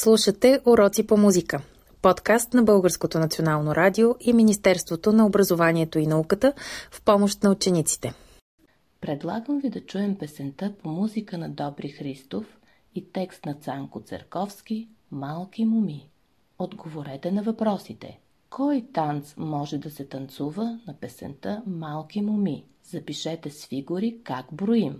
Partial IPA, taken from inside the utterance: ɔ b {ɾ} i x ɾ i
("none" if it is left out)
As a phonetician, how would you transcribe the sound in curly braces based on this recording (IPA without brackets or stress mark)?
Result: ɾ